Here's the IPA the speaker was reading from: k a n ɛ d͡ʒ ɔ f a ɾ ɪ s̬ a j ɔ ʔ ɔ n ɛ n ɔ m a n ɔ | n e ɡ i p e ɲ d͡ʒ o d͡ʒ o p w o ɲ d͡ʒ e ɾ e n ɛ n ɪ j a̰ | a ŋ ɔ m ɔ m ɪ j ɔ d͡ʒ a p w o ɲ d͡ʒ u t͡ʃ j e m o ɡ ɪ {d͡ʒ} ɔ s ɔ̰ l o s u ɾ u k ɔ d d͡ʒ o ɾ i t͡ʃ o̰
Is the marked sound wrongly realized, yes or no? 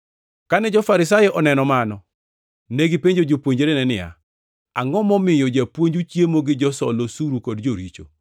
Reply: no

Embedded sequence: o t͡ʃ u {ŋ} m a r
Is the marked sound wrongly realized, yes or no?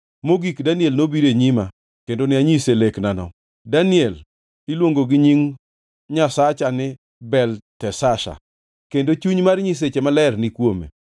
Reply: yes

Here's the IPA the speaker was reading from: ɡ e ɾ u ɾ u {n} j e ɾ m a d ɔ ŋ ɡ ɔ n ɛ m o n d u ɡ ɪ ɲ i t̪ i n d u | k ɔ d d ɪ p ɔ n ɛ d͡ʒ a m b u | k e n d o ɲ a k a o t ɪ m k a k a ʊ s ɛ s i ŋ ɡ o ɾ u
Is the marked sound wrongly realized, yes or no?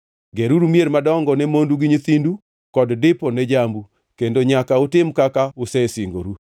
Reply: yes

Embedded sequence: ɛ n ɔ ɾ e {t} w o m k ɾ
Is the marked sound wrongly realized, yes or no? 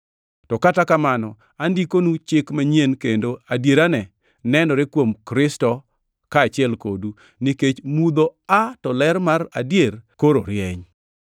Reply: yes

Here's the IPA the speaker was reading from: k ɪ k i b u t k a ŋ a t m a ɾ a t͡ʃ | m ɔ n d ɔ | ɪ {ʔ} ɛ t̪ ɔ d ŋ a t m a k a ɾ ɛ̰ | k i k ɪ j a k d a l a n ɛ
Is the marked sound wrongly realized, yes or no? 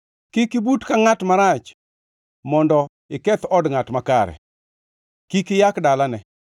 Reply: yes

